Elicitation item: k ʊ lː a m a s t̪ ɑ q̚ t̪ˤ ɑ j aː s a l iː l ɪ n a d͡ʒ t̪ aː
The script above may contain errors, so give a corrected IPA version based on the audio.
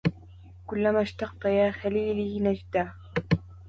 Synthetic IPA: k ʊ lː a m a ʃ t̪ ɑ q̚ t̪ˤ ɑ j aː x a l iː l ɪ n a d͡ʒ d̪ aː